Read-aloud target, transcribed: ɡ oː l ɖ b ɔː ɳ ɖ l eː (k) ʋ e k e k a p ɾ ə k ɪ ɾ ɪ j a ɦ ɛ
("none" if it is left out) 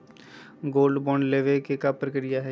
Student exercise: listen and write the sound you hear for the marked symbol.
none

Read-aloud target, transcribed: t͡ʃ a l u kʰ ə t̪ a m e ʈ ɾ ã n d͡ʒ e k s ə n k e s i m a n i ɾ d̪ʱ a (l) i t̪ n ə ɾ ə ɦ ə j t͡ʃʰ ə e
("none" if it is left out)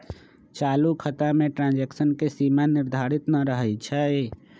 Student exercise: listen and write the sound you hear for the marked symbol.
ɾ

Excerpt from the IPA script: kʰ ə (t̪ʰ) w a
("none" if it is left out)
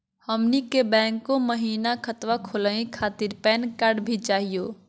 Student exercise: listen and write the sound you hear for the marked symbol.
t̪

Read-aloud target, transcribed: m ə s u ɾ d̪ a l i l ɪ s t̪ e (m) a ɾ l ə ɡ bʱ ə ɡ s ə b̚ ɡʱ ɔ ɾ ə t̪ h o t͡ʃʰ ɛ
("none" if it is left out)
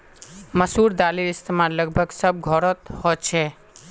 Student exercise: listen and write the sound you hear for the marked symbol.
m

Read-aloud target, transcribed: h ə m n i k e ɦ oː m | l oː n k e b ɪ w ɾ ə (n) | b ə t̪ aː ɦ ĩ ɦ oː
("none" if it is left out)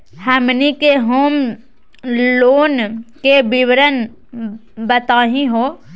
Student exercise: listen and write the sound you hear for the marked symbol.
n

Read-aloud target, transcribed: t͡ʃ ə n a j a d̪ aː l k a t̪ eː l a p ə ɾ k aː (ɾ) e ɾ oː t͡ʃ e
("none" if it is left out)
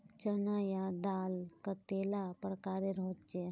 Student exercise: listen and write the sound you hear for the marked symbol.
ɾ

